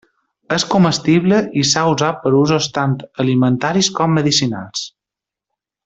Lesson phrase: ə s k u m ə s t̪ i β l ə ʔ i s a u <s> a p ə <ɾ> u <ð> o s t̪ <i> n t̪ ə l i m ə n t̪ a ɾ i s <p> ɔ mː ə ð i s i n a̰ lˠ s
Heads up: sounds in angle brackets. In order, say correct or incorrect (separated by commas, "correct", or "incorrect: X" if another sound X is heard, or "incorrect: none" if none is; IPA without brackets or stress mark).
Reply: incorrect: z, correct, incorrect: z, incorrect: a, incorrect: k